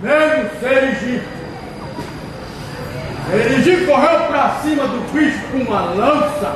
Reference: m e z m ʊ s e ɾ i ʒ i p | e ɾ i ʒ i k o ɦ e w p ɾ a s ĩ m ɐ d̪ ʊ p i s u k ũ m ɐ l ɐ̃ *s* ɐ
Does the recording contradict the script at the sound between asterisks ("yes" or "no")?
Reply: no